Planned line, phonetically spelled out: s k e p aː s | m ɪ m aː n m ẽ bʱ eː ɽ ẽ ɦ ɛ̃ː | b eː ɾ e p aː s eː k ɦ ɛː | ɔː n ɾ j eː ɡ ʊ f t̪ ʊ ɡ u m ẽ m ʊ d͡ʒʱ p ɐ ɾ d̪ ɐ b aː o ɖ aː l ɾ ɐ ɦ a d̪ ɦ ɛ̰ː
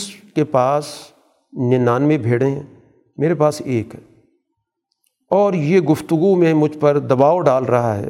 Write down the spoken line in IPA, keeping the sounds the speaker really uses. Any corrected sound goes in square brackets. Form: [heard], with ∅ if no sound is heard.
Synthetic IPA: s k e p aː s | [n] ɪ [n] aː n m ẽ bʱ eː ɽ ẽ ɦ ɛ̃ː | [m] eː ɾ e p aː s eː k ɦ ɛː | ɔː [∅] ɾ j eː ɡ ʊ f t̪ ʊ ɡ u m ẽ m ʊ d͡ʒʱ p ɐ ɾ d̪ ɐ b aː o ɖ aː l ɾ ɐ ɦ a [∅] ɦ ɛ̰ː